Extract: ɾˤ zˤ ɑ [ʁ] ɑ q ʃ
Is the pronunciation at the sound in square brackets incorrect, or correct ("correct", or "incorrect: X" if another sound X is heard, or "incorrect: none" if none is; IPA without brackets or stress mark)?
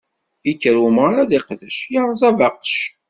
incorrect: v